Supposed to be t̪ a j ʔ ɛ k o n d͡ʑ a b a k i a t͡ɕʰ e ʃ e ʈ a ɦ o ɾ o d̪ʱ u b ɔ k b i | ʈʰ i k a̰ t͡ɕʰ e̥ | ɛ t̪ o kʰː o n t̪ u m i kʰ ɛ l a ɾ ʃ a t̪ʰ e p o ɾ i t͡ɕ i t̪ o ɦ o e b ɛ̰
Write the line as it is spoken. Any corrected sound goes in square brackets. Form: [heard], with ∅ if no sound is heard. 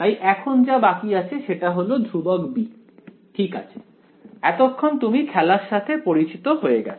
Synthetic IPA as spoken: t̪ a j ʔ ɛ [kʰ] o n d͡ʑ a b a k i a t͡ɕʰ e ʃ e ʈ a ɦ o [l] o d̪ʱ u b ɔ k b i | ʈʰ i k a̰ t͡ɕʰ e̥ | ɛ t̪ o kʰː o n t̪ u m i kʰ ɛ l a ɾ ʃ a t̪ʰ e p o ɾ i t͡ɕ i t̪ o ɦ o e [ɡ] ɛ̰

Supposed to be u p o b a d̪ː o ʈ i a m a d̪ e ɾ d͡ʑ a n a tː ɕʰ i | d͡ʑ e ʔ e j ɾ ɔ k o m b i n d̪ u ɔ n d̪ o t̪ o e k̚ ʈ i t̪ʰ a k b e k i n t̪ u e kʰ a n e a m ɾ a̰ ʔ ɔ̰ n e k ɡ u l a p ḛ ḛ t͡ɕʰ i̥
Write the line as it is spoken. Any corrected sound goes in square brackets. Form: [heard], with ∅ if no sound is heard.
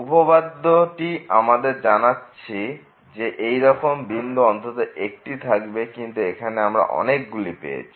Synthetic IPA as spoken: u p o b a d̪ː o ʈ i a m a d̪ e ɾ d͡ʑ a n a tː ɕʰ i | d͡ʑ e ʔ e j ɾ ɔ k o m b i n d̪ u ɔ n [t̪] o t̪ o e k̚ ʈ i t̪ʰ a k b e k i n t̪ u e kʰ a n e a m ɾ a̰ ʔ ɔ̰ n e k ɡ u l [i] p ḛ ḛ t͡ɕʰ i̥

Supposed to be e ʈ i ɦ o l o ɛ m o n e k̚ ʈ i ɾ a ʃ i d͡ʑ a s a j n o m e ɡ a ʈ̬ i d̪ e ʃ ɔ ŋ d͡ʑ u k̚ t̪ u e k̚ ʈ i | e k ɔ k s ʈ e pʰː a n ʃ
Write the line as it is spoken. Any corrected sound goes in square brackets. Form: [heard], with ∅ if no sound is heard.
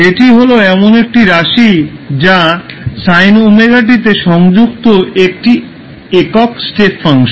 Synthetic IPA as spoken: e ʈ i ɦ o l o ɛ m o n e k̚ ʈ i ɾ a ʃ i d͡ʑ a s a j n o m e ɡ a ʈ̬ i [t̪] e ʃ ɔ ŋ d͡ʑ u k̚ t̪ [o] e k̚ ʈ i | e k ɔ k s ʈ e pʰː a [ŋ] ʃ

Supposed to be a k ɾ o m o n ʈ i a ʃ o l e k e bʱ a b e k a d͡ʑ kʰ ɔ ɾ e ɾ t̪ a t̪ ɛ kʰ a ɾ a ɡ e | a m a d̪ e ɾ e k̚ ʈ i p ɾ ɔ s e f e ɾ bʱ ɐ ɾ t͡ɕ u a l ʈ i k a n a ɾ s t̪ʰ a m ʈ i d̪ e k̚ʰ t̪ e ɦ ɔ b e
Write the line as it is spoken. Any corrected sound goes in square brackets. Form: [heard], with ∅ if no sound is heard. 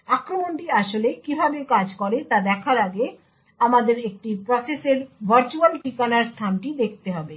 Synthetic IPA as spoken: a k ɾ o m o n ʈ i a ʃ o l e k [i] bʱ a b e k a d͡ʑ [k] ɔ ɾ e [∅] t̪ a [d̪] ɛ kʰ a ɾ a ɡ e | a m a d̪ e ɾ e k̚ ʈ i p ɾ ɔ s e [s] e ɾ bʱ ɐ ɾ t͡ɕ u a l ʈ i k a n a ɾ s t̪ʰ a [n] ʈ i d̪ e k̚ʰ t̪ e ɦ ɔ b e

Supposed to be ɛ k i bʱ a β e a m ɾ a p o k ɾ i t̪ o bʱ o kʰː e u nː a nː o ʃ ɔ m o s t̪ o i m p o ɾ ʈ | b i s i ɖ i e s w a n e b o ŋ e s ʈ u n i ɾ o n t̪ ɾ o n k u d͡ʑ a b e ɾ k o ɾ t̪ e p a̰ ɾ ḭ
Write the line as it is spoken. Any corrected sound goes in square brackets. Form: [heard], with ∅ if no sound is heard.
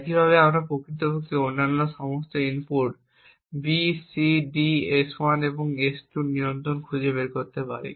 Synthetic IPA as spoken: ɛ k i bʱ a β e a m ɾ a p o k ɾ i t̪ o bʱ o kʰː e [o] nː a nː o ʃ ɔ m o s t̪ o i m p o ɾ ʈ | b i s i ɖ i e s w a n e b o ŋ e s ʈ u n i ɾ o n t̪ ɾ o n [kʰ] u d͡ʑ [e] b e ɾ k o ɾ t̪ e p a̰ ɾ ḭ

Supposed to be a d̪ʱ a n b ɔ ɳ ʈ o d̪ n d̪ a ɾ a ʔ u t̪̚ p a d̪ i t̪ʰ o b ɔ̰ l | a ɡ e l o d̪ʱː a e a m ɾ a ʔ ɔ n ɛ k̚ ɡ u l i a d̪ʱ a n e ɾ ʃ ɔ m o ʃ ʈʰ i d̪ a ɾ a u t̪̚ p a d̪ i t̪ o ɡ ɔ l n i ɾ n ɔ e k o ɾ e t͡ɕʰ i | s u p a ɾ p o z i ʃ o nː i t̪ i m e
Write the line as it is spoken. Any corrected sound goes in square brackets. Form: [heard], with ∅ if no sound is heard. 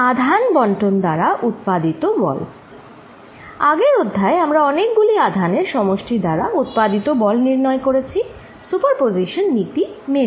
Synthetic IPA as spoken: a d̪ʱ a n b ɔ ɳ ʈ o [∅] n d̪ a ɾ a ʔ u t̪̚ p a d̪ i [t̪] o b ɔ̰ l | a ɡ e [ɾ] o d̪ʱː a e a m ɾ a [∅] ɔ n [e] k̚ ɡ u l i a d̪ʱ a n e ɾ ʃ ɔ m o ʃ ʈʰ i d̪ a ɾ a u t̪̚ p a d̪ i t̪ o [b] ɔ l n i ɾ n ɔ e k o ɾ e t͡ɕʰ i | s u p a ɾ p o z i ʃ o nː i t̪ i m e

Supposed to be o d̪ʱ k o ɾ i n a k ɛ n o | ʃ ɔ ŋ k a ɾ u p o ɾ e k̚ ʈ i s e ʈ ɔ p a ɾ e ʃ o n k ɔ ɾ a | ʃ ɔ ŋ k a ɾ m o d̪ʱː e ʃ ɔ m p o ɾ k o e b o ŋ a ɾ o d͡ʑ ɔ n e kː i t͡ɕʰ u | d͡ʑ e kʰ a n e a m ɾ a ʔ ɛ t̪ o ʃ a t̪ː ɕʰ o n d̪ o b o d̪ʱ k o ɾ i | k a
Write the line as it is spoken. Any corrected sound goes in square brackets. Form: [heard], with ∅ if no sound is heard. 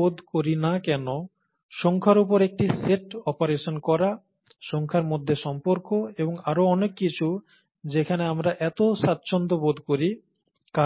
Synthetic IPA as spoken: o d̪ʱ k o ɾ i n a k ɛ n o | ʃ ɔ ŋ [kʰ] a ɾ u p o ɾ e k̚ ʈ i s e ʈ ɔ p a ɾ e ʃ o n k ɔ ɾ a | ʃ ɔ ŋ [kʰ] a ɾ m o d̪ʱː e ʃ ɔ m p o ɾ k o e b o ŋ a ɾ o [∅] ɔ n e kː i t͡ɕʰ u | d͡ʑ e kʰ a n e a m ɾ a ʔ ɛ t̪ o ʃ a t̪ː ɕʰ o n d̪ o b o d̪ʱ k o ɾ i | k a

